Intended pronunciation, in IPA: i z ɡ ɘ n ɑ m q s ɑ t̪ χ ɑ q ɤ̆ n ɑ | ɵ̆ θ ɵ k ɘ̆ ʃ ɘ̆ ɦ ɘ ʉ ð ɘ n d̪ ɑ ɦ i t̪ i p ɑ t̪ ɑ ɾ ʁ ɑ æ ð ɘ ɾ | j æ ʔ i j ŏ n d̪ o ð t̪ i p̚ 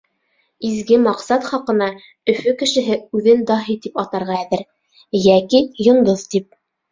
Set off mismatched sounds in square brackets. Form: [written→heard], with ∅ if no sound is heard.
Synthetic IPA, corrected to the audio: i z ɡ ɘ [n→m] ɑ [m→∅] q s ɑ t̪ χ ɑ q ɤ̆ n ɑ | ɵ̆ [θ→f] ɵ k ɘ̆ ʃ ɘ̆ ɦ ɘ ʉ ð ɘ n d̪ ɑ ɦ i t̪ i p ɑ t̪ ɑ ɾ ʁ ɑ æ ð ɘ ɾ | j æ [ʔ→k] i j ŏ n d̪ o ð t̪ i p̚